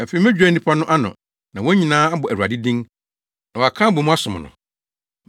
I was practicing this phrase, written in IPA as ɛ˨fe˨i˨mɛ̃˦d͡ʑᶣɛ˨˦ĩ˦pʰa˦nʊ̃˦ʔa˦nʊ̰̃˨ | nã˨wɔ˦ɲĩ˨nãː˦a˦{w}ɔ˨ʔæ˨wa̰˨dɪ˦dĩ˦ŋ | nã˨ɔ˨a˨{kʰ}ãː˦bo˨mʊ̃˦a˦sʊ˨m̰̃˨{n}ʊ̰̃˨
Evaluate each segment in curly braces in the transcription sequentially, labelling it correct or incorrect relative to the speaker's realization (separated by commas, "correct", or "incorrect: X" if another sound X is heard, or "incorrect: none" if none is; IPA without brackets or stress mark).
incorrect: b, correct, correct